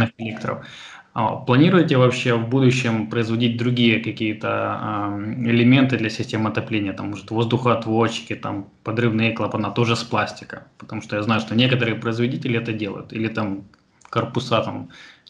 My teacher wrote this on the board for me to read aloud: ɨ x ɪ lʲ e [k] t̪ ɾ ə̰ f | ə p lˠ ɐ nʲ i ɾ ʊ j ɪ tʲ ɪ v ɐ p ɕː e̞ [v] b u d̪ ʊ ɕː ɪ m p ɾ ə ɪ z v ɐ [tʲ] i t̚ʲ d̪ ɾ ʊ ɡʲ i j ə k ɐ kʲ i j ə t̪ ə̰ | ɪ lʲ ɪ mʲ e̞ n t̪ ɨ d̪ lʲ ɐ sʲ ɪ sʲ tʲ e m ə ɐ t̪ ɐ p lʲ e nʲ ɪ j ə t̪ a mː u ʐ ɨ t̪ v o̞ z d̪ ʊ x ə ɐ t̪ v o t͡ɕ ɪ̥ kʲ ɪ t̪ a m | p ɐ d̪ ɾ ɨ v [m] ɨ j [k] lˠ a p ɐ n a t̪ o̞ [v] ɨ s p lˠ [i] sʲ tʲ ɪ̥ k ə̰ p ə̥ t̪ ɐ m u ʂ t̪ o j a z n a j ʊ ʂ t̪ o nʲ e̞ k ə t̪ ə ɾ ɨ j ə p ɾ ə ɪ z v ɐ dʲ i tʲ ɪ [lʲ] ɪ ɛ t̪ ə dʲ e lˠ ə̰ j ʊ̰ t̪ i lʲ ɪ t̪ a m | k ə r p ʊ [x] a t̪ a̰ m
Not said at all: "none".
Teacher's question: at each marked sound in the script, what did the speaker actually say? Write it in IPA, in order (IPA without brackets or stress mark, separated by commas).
k, v, dʲ, n, k, ʐ, a, lʲ, s